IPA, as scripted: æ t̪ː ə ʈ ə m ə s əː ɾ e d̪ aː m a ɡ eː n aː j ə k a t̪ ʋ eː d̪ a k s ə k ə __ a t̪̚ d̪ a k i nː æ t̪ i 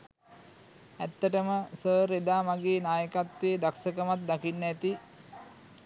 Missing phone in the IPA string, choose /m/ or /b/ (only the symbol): m